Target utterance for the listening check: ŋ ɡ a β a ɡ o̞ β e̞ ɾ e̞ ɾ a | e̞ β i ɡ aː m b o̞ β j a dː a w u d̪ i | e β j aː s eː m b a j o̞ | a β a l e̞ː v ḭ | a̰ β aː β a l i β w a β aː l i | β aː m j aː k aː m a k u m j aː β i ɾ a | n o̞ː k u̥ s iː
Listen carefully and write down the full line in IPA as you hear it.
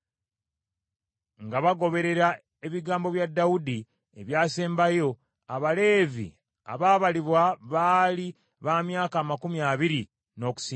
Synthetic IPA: ŋ ɡ a β a ɡ o̞ β e̞ ɾ e̞ ɾ a | e̞ β i ɡ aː m b o̞ β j a dː a w u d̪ i | e β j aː s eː m b a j o̞ | a β a l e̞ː v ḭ | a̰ β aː β a l i β w a β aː l i | β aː m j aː k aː m a k u m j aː β i ɾ i | n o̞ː k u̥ s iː